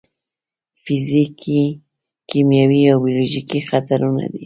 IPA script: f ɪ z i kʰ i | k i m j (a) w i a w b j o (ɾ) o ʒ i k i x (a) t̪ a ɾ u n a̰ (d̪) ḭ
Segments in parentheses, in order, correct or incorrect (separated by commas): correct, incorrect, correct, correct